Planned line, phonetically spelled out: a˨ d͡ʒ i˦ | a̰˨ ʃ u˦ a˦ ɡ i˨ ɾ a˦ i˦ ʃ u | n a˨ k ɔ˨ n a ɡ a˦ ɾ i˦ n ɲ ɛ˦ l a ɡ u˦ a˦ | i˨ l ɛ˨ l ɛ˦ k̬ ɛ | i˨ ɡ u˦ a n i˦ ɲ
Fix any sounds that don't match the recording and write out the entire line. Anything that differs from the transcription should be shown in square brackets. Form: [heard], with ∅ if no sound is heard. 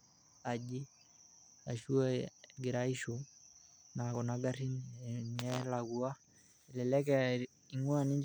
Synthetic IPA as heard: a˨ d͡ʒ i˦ | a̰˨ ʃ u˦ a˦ ɡ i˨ ɾ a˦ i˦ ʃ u | n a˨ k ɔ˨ n a ɡ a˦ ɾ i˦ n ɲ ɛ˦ l a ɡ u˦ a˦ | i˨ l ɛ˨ l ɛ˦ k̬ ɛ | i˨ [ŋ] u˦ a n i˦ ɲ